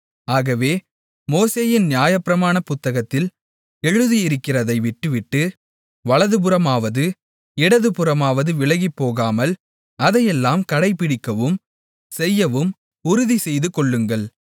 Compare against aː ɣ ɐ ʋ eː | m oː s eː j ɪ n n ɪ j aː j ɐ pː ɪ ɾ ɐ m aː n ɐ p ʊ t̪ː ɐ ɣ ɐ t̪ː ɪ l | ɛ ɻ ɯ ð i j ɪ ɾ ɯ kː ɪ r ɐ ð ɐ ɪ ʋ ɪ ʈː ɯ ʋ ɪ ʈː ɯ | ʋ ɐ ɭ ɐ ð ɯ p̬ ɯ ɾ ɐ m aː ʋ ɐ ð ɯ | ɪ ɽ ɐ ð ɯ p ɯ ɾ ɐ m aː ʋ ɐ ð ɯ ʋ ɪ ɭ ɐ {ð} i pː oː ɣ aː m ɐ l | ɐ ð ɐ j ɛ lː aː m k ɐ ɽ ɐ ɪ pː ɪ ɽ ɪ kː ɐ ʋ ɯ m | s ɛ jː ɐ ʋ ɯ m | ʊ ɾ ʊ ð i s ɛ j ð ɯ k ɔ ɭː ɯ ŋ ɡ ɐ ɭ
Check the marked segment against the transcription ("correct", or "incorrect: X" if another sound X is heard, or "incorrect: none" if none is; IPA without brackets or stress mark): incorrect: ɣ